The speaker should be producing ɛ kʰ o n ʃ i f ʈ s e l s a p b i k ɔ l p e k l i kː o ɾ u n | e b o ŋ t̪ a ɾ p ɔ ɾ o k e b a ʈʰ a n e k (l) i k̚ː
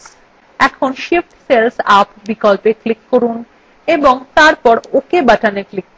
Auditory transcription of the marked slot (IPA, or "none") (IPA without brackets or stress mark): l